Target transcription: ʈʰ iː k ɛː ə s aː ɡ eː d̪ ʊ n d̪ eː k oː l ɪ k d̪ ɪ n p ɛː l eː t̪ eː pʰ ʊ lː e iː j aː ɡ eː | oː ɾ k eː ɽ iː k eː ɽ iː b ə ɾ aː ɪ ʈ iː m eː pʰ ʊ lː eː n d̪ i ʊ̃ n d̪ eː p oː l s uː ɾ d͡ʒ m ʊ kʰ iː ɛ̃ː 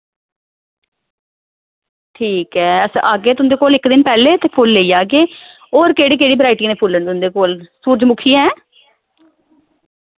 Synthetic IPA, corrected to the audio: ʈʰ iː k ɛː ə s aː ɡ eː t̪ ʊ n d̪ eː k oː l ɪ k d̪ ɪ n p ɛː l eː t̪ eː pʰ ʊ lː e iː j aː ɡ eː | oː ɾ k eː ɽ iː k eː ɽ iː b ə ɾ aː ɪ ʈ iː n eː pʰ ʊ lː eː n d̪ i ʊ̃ n d̪ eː k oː l s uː ɾ d͡ʒ m ʊ kʰ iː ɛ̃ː

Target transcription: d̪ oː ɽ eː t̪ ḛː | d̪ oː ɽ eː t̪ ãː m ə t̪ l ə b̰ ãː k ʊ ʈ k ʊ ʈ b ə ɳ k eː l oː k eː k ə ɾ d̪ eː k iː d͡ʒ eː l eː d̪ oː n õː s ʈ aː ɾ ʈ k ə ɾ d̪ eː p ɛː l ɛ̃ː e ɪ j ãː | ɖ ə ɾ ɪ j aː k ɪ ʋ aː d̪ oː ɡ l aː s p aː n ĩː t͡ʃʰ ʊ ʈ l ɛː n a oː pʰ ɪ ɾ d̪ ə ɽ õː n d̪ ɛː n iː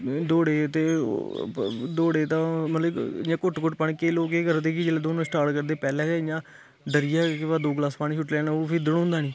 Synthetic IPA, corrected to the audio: d̪ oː ɽ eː t̪ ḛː | d̪ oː ɽ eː t̪ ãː m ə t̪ l ə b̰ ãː k ʊ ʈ k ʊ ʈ p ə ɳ k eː l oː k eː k ə ɾ d̪ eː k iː d͡ʒ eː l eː d̪ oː n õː s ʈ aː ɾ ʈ k ə ɾ d̪ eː p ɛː l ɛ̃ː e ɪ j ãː | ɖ ə ɾ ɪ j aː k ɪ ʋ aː d̪ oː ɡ l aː s p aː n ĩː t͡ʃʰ ʊ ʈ l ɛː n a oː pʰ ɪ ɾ d̪ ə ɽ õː n d̪ aː n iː

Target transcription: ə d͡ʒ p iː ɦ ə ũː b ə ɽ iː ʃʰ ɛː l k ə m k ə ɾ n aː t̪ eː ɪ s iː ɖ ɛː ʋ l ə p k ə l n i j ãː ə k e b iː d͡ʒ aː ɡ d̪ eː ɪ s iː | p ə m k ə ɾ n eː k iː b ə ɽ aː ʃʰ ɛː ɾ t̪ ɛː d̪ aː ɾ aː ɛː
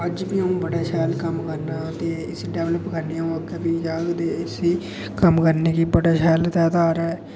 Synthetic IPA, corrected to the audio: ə d͡ʒ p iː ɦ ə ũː b ə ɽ aː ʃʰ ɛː l k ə m k ə ɾ n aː t̪ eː ɪ s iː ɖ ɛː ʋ l ə p k ə ɾ n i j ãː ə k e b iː d͡ʒ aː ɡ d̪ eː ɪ s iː | k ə m k ə ɾ n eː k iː b ə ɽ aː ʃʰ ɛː l t̪ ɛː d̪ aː ɾ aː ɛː

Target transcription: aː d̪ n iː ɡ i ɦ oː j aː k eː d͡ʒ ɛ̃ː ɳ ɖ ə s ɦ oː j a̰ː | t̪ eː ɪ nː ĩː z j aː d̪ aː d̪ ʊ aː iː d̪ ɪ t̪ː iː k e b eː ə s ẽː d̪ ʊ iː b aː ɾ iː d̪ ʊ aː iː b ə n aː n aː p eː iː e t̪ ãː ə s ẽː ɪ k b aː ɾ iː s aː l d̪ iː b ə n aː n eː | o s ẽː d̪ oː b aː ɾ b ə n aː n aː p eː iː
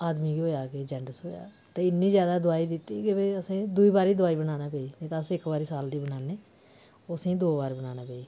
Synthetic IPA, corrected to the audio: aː d̪ m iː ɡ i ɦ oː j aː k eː d͡ʒ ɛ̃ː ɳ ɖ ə s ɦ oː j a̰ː | t̪ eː ɪ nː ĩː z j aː d̪ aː d̪ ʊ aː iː d̪ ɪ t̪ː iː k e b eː ə s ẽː d̪ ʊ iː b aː ɾ iː d̪ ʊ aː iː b ə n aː n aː p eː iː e t̪ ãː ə s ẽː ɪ k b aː ɾ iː s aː l d̪ iː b ə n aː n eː | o s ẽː d̪ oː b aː ɾ b ə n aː n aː p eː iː

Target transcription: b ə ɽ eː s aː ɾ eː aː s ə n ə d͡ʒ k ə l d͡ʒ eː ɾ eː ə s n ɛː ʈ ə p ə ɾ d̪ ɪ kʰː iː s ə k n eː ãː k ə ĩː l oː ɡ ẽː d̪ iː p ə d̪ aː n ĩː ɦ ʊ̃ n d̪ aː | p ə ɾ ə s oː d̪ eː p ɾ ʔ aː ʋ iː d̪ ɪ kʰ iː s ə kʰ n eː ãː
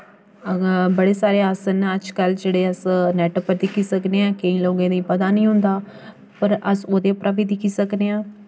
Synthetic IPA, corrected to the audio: b ə ɽ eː s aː ɾ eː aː s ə n ə d͡ʒ k ə l d͡ʒ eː ɽ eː ə s n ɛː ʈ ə p ə ɾ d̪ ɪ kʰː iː s ə k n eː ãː k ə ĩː l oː ɡ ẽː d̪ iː p ə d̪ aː n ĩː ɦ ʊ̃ n d̪ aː | p ə ɾ ə s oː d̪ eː p ɾ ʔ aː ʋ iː d̪ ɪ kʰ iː s ə k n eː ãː

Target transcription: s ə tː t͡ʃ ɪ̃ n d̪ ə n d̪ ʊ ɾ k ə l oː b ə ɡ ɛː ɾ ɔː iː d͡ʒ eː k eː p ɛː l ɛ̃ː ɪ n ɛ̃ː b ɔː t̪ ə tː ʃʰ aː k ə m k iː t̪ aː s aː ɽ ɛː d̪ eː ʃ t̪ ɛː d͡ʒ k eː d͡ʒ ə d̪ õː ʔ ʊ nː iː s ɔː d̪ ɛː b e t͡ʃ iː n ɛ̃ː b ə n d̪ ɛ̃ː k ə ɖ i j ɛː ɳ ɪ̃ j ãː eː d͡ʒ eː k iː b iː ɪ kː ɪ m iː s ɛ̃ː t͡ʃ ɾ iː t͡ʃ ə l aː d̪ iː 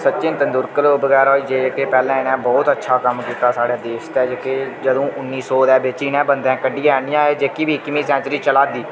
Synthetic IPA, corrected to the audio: s ə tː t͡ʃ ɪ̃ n t̪ ə n d̪ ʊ ɾ k ə l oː b ə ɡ ɛː ɾ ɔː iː d͡ʒ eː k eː p ɛː l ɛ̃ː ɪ n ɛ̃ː b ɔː t̪ ə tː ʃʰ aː k ə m k iː t̪ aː s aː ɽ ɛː d̪ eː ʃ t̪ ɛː d͡ʒ k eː d͡ʒ ə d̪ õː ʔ ʊ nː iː s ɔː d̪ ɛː b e t͡ʃ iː n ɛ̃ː b ə n d̪ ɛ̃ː k ə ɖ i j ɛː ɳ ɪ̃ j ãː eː d͡ʒ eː k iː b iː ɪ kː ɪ m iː s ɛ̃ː t͡ʃ ɾ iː t͡ʃ ə l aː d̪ iː

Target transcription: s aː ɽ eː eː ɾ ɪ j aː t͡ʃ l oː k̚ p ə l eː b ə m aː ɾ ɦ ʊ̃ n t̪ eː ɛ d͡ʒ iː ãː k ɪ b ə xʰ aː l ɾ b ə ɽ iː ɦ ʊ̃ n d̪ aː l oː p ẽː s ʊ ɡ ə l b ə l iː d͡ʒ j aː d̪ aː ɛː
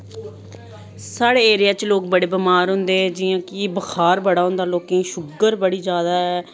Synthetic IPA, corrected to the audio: s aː ɽ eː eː ɾ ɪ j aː t͡ʃ l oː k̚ b ə ɽ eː b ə m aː ɾ ɦ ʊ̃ n d̪ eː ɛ d͡ʒ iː ãː k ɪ b ə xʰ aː ɾ b ə ɽ aː ɦ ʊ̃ n d̪ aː l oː k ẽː ʃ ʊ ɡ ə ɾ b ə ɽ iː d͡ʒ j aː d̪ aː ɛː

